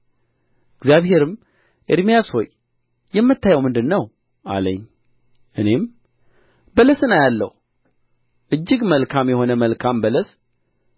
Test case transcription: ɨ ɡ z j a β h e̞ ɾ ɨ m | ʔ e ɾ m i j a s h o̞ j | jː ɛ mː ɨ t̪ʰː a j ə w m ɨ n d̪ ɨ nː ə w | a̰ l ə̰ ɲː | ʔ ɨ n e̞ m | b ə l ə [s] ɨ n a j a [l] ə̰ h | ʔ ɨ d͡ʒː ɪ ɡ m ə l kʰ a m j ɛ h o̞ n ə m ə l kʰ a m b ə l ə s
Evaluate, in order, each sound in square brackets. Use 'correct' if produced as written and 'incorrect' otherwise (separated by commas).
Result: correct, incorrect